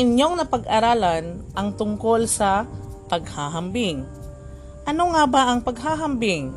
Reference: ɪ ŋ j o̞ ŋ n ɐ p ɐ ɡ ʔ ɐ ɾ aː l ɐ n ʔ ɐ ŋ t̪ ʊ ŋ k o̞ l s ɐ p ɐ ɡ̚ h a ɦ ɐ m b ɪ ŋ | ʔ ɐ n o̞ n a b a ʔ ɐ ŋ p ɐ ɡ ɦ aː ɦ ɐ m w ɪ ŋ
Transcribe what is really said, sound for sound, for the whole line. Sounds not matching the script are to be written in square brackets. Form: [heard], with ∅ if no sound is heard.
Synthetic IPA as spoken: ɪ [ɲ] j o̞ ŋ n ɐ p ɐ ɡ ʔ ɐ ɾ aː l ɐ n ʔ ɐ ŋ t̪ ʊ ŋ k o̞ l s ɐ p ɐ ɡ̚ h a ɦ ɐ m b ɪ ŋ | ʔ ɐ n o̞ [ŋ] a b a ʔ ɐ ŋ p ɐ ɡ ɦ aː ɦ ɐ m [b] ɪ ŋ